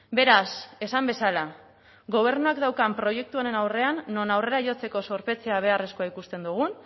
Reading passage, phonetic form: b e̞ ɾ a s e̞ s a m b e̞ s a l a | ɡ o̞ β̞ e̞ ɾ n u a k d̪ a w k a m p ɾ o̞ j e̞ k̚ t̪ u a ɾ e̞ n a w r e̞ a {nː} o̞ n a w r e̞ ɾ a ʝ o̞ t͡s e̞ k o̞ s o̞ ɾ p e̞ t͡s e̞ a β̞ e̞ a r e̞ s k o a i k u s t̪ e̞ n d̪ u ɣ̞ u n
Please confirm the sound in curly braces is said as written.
yes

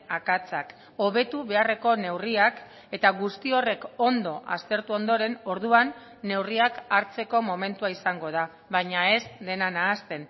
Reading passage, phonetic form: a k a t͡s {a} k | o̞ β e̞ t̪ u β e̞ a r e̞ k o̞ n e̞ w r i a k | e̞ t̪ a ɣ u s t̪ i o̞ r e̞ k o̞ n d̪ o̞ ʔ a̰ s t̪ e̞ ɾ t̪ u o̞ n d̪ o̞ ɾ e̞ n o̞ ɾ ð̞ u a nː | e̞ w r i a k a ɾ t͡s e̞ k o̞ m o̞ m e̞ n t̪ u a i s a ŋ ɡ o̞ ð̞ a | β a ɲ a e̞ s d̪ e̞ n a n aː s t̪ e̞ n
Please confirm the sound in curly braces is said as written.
yes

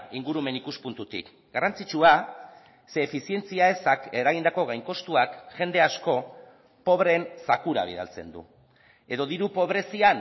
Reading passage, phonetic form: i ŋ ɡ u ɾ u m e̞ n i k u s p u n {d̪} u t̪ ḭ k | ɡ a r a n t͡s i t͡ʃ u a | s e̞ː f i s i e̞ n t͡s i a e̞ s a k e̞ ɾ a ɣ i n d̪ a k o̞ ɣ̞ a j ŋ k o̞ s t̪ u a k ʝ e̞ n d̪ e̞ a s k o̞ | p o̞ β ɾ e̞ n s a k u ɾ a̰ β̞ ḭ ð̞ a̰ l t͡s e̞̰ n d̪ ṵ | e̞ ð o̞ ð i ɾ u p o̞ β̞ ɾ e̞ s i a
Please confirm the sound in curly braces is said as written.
no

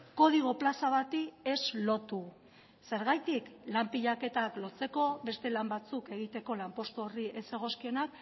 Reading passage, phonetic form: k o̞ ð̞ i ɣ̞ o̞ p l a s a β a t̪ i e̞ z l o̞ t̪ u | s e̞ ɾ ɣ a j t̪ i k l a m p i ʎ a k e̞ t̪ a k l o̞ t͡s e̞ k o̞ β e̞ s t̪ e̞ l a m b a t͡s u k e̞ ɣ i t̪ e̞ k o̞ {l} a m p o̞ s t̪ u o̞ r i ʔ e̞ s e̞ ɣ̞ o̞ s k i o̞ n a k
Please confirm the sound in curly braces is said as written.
yes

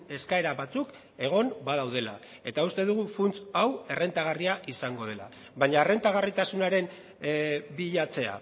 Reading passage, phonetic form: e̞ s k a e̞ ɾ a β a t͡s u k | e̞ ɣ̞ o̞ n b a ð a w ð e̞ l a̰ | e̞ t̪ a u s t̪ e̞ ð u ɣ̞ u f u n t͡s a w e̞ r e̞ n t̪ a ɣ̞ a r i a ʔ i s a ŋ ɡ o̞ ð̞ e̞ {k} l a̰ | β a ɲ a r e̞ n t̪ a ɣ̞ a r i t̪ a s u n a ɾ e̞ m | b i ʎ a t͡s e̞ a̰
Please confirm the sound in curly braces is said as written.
no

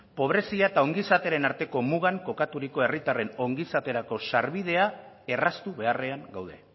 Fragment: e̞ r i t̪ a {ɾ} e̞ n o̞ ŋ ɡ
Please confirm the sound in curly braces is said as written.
no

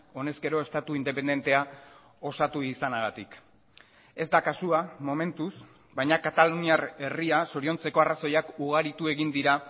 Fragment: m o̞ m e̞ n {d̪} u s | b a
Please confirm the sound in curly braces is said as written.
no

